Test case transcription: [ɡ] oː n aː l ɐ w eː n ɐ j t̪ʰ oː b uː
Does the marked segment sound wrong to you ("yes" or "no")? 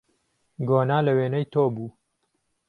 no